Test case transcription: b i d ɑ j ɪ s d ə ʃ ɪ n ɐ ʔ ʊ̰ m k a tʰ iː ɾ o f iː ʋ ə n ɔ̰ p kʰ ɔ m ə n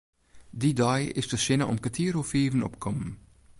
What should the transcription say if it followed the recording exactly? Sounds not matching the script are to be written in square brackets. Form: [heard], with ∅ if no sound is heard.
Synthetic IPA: [d] i d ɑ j ɪ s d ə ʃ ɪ n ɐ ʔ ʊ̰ m k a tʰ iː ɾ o f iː [v] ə n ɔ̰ p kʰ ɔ m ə n